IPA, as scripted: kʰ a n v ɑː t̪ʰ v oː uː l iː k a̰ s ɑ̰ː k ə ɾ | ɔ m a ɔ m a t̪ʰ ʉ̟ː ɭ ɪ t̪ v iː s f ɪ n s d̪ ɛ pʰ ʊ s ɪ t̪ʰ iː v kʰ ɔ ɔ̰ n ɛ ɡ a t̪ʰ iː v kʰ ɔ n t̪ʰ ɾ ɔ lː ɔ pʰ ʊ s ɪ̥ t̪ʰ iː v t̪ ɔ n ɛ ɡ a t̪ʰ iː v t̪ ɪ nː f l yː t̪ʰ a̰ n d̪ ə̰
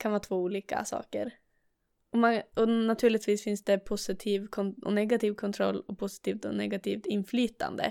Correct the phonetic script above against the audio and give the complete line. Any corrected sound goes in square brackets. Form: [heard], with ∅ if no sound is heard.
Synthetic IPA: kʰ a n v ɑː t̪ʰ v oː uː l iː k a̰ s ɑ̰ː k ə ɾ | ɔ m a ɔ [n] a t̪ʰ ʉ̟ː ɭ ɪ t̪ v iː s f ɪ n s d̪ ɛ pʰ ʊ s ɪ t̪ʰ iː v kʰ ɔ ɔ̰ n ɛ ɡ a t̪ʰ iː v kʰ ɔ n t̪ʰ ɾ ɔ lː ɔ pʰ ʊ s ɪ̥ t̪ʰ iː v t̪ ɔ n ɛ ɡ a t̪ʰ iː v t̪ ɪ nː f l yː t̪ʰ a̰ n d̪ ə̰